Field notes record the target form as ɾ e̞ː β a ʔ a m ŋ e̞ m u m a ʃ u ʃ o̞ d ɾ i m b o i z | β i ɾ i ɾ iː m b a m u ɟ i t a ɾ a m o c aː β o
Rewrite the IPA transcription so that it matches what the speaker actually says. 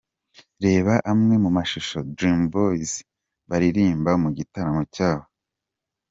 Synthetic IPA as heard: ɾ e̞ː β a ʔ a m ŋ e̞ m u m a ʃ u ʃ o̞ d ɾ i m b o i z | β a ɾ i ɾ iː m b a m u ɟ i t a ɾ a m o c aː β o